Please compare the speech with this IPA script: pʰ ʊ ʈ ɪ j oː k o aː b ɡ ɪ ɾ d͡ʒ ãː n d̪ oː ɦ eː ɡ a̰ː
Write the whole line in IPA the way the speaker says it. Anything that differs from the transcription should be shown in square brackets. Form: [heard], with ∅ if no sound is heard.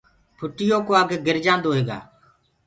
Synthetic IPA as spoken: pʰ ʊ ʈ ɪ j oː k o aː [ɡ] ɡ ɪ ɾ d͡ʒ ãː n d̪ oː ɦ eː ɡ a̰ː